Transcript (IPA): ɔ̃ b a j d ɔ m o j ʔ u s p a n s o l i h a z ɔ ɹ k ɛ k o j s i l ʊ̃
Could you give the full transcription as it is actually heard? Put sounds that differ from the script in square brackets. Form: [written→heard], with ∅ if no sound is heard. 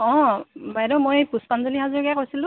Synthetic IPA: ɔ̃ b a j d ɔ m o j [ʔ→p] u s p a n [s→z] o l i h a z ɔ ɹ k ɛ k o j s i l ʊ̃